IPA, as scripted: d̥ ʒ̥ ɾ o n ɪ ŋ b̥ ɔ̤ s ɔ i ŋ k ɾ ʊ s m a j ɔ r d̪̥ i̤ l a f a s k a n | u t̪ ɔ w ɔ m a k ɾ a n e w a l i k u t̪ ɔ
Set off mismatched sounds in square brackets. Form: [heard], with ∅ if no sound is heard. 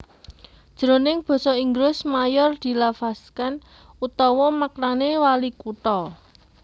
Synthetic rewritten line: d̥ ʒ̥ ɾ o n ɪ ŋ b̥ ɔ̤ s ɔ i ŋ [ɡ] ɾ ʊ s m a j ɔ r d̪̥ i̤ l a f a s k a n | u t̪ ɔ w ɔ m a k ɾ a n e w a l i k u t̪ ɔ